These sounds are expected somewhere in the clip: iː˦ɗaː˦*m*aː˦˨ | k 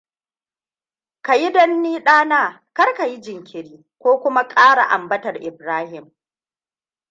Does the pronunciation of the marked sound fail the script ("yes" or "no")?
yes